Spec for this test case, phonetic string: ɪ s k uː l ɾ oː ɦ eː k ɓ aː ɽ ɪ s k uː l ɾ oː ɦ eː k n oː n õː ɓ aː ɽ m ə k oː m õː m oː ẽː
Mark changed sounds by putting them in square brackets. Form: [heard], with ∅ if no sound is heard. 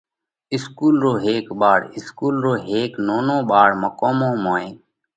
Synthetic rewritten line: ɪ s k uː l ɾ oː ɦ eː k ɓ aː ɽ ɪ s k uː l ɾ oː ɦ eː k n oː n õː ɓ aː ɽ m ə k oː m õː m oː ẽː